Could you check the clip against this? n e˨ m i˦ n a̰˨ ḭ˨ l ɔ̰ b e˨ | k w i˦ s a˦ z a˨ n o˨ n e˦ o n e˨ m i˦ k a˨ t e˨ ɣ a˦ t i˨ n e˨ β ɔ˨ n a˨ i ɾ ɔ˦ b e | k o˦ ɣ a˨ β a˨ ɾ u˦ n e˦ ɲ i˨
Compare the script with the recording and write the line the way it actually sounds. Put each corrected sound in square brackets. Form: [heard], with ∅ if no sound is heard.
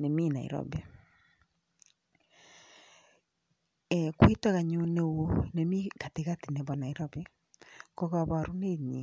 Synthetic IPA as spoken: n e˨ m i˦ n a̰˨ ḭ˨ [ɾ] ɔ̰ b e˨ | k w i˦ [t] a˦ [ɣ] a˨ [ɲ] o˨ n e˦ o n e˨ m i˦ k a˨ t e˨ ɣ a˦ t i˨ n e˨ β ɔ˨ n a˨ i ɾ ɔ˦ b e | k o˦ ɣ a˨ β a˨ ɾ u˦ n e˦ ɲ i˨